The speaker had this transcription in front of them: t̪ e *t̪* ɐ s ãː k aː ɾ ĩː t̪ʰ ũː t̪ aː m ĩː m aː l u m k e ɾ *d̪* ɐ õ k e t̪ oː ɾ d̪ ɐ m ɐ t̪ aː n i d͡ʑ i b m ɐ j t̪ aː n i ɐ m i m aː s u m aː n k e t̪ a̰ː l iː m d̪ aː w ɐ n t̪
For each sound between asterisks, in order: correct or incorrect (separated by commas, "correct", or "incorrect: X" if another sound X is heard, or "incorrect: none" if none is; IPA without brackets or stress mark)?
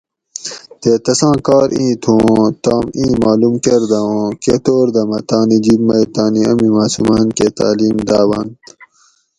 correct, correct